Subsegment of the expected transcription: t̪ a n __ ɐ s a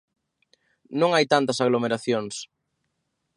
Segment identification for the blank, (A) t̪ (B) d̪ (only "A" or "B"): A